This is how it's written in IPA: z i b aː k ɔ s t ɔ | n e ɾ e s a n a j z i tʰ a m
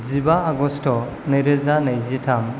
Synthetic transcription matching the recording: z i b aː ɡ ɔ s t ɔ | n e ɾ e z a n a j z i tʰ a m